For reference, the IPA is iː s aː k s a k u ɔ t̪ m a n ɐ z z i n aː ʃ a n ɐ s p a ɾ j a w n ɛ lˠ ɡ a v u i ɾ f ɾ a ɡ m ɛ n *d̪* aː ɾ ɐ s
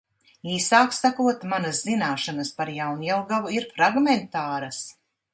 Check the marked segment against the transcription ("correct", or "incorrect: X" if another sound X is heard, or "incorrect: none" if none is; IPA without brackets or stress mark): incorrect: t̪